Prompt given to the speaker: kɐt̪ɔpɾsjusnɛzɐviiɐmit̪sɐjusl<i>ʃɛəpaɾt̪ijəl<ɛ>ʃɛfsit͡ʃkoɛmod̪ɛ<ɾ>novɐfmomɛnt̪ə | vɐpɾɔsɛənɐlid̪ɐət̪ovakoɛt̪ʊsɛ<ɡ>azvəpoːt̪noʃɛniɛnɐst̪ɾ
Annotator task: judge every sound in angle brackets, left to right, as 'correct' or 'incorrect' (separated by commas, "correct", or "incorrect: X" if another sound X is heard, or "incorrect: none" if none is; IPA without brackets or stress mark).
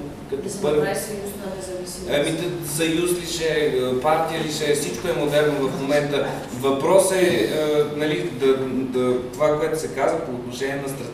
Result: correct, incorrect: i, correct, incorrect: k